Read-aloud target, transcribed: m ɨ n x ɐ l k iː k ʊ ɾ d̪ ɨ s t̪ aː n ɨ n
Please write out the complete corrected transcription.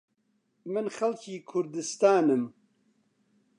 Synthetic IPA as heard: m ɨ n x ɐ l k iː kʰ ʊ ɾ d̪ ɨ s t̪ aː n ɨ m

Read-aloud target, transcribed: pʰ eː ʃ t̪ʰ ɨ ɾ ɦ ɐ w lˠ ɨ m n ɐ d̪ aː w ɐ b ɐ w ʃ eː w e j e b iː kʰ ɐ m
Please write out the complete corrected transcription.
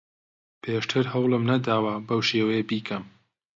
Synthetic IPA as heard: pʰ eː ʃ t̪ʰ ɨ ɾ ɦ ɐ w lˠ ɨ m n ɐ d̪ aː w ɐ b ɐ w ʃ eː w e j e b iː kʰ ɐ m

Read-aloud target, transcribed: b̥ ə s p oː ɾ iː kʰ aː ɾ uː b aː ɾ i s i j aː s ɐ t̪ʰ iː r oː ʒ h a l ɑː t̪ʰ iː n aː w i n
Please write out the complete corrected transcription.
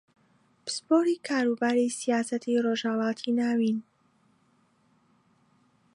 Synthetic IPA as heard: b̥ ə s p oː ɾ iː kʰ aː ɾ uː b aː ɾ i s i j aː s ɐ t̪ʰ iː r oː ʒ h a l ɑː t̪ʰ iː n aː w i n

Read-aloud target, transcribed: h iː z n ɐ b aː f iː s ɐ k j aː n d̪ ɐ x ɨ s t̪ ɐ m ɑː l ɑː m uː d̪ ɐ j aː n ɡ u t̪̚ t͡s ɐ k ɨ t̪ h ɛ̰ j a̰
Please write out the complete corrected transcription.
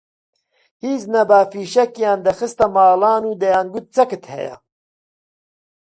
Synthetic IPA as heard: h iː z n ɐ b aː f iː ʃ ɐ k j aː n d̪ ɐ x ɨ s t̪ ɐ m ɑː l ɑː n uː d̪ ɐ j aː n ɡ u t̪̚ t͡s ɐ k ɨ t̪ h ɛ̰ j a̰

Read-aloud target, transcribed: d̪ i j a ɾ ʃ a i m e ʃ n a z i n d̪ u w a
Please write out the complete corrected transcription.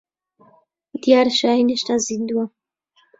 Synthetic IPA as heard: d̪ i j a ɾ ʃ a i n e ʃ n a z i n d̪ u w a

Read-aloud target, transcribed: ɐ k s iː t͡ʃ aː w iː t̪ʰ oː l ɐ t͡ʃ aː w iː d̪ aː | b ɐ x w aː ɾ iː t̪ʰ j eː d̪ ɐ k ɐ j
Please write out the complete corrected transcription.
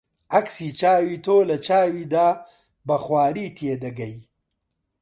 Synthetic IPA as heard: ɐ k s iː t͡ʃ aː w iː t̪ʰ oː l ɐ t͡ʃ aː w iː d̪ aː | b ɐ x w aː ɾ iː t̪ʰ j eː d̪ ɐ ɡ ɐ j

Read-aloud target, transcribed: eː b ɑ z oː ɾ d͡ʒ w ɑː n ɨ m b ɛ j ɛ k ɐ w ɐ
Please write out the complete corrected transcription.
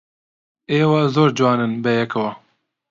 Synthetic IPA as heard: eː w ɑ z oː ɾ d͡ʒ w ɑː n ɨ n b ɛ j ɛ k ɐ w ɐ

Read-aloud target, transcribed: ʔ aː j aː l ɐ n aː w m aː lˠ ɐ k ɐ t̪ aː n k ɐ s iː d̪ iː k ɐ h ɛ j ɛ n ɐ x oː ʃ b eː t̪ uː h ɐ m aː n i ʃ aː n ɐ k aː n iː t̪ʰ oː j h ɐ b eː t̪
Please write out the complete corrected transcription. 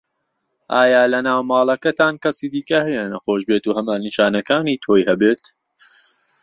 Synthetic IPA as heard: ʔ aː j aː l ɐ n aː w m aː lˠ ɐ k ɐ t̪ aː n k ɐ s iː d̪ iː k ɐ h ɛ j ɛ n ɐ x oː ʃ b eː t̪ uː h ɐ m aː n i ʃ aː n ɐ k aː n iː t̪ʰ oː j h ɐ b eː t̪

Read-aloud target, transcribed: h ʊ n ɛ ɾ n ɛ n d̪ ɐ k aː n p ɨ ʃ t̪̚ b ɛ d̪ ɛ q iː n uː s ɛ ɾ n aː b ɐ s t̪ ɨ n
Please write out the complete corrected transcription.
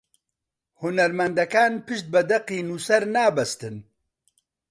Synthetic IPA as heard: h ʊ n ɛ ɾ m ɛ n d̪ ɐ k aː n p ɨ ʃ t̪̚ b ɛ d̪ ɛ q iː n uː s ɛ ɾ n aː b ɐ s t̪ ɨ n

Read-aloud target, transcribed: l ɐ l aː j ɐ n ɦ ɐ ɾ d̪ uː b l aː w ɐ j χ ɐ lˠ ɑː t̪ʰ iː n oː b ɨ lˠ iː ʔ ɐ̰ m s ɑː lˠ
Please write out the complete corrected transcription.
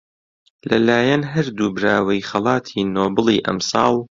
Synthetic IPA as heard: l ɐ l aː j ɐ n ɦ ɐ ɾ d̪ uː b ɾ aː w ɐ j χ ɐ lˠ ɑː t̪ʰ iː n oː b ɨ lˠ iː ʔ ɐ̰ m s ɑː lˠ

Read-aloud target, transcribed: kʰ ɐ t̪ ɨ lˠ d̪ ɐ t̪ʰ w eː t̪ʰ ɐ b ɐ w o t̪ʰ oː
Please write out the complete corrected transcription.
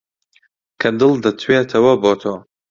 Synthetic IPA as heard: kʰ ɐ d̪ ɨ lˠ d̪ ɐ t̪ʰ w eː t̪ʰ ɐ w ɐ b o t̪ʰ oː

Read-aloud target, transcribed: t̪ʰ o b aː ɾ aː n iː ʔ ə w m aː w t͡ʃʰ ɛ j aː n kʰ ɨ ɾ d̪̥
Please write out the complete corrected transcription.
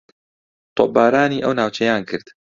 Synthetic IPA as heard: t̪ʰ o b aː ɾ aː n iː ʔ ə w n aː w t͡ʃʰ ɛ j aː n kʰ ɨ ɾ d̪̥

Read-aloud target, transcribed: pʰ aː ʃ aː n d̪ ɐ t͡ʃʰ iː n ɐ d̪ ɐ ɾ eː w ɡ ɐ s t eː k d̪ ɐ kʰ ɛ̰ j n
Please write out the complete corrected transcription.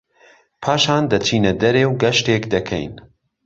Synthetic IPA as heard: pʰ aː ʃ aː n d̪ ɐ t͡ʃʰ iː n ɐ d̪ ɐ ɾ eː w ɡ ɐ ʃ t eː k d̪ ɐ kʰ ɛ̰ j n

